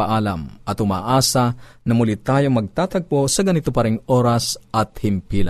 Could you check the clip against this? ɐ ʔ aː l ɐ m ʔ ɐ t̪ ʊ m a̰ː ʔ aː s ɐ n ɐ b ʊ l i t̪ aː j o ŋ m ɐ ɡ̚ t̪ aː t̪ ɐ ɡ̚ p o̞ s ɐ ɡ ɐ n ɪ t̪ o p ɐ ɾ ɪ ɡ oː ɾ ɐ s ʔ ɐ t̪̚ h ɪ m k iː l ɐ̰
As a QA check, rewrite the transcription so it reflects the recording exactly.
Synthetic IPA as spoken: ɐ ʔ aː l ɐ m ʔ ɐ t̪ ʊ m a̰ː ʔ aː s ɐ n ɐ m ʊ l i t̪ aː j o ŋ m ɐ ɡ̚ t̪ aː t̪ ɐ ɡ̚ p o̞ s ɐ ɡ ɐ n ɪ t̪ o p ɐ ɾ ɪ ŋ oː ɾ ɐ s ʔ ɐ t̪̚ h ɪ m p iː l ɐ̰